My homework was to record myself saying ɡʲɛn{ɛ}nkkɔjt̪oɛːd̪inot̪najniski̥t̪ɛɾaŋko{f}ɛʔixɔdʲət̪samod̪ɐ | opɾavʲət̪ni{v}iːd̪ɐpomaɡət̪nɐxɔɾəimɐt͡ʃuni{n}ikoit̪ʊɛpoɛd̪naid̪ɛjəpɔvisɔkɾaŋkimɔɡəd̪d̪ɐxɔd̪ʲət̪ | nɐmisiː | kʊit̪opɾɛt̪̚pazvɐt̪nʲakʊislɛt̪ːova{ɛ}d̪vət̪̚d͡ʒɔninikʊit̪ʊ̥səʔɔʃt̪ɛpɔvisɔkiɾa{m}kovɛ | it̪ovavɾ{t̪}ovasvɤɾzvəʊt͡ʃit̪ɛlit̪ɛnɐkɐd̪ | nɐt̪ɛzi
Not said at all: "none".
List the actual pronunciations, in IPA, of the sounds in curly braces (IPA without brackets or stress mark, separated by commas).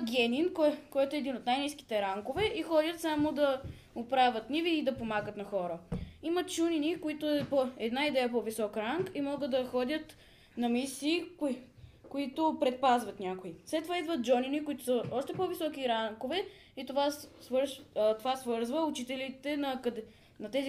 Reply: i, v, v, n, i, ŋ, t̪